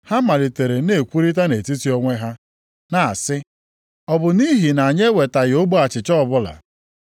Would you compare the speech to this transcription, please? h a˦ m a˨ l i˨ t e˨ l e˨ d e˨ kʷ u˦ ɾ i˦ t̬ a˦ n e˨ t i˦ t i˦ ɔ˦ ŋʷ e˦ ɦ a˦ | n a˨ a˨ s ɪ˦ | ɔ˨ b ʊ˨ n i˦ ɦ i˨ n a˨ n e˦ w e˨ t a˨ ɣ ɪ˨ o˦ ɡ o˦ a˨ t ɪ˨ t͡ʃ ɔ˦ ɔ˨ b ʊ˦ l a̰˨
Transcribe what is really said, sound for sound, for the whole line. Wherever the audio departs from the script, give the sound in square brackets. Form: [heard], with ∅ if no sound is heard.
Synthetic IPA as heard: h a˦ m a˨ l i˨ t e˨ [ɾ] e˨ [n] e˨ kʷ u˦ ɾ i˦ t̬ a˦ n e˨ t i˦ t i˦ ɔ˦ ŋʷ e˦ ɦ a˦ | n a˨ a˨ s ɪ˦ | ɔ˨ b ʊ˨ n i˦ ɦ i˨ n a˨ [ɲ] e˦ w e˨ t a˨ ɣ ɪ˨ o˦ [ɡ͡b] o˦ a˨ [t͡ʃ] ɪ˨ t͡ʃ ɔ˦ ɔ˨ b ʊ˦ l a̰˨

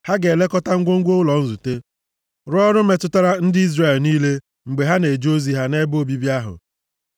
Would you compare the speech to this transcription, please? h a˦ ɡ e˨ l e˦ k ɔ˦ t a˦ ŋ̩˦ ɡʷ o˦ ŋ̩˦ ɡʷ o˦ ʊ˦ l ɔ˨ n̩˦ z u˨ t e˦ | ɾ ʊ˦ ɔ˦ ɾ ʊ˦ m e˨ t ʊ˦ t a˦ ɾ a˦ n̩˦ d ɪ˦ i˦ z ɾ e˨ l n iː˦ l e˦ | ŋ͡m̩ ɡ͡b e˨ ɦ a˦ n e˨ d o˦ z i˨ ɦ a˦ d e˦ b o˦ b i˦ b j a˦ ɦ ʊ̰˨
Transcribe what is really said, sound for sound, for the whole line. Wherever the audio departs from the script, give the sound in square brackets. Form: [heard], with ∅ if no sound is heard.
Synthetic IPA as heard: h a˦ ɡ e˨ l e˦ k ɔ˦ t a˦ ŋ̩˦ ɡʷ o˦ ŋ̩˦ ɡʷ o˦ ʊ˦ l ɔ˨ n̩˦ z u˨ t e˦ | ɾ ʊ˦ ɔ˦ ɾ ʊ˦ m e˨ t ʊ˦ t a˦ ɾ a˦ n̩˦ d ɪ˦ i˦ z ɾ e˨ l n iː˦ l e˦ | ŋ͡m̩ ɡ͡b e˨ ɦ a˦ n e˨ [d͡ʒ] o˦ z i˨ ɦ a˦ [n] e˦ b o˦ b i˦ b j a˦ ɦ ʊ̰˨

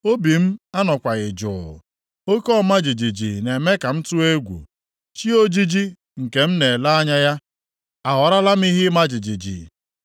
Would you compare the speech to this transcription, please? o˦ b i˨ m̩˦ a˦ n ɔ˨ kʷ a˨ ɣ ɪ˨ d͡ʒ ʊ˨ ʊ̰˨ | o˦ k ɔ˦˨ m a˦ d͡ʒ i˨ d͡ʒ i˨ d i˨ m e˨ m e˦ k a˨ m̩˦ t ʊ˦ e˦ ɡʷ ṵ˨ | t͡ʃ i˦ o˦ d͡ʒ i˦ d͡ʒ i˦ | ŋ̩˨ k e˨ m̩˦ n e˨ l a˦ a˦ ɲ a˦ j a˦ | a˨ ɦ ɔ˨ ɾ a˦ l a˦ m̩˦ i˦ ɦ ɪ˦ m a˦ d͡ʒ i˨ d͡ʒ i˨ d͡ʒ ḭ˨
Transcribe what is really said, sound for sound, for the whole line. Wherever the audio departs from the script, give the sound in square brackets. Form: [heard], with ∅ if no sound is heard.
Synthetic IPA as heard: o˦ b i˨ m̩˦ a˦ n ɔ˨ kʷ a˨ ɣ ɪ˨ d͡ʒ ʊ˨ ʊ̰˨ | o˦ k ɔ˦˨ m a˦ d͡ʒ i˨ d͡ʒ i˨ [d͡ʒ] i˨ [n] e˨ m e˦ k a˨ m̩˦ t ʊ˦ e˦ ɡʷ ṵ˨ | t͡ʃ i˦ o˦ d͡ʒ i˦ d͡ʒ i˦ | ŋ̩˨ k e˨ m̩˦ n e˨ l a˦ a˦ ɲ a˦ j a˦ | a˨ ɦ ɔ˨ ɾ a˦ l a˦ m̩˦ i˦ ɦ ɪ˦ m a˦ d͡ʒ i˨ d͡ʒ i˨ d͡ʒ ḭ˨

